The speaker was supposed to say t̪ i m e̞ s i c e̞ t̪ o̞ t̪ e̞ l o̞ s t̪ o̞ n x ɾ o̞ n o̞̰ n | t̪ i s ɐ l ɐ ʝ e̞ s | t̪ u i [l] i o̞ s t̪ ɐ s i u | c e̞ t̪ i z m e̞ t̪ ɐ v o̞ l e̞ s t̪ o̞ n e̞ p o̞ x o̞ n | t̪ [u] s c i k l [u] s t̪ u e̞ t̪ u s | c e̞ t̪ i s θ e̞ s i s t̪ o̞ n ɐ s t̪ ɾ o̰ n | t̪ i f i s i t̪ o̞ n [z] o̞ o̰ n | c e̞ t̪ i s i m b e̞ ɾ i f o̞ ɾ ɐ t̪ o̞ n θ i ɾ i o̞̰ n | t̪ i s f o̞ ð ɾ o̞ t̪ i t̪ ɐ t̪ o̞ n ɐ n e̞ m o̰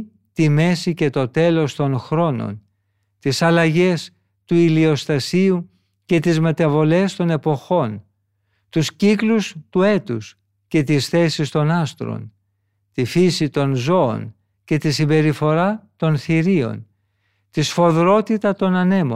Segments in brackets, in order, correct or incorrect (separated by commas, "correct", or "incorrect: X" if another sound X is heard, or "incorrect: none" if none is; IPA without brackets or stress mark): correct, correct, correct, correct